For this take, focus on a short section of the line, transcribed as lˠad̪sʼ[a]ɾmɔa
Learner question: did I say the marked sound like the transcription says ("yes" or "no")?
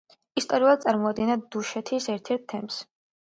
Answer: yes